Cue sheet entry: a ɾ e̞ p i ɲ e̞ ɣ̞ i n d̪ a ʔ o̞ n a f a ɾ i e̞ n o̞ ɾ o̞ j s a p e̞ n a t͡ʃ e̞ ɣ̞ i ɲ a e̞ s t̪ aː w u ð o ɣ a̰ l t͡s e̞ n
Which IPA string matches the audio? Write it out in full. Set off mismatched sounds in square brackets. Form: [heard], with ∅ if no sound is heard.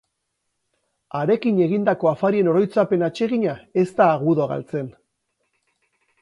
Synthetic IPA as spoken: a ɾ e̞ [k] i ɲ e̞ ɣ̞ i n d̪ a [k] o̞ [∅] a f a ɾ i e̞ n o̞ ɾ o̞ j [t͡s] a p e̞ n a t͡ʃ e̞ ɣ̞ i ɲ a e̞ s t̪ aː [ɣ] u ð o ɣ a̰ l t͡s e̞ n